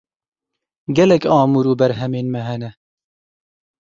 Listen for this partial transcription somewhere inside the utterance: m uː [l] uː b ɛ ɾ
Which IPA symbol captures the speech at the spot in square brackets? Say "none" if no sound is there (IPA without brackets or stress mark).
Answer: ɾ